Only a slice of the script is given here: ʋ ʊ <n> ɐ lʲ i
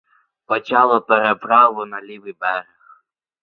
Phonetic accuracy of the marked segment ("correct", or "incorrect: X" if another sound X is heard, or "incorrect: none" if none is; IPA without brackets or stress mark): correct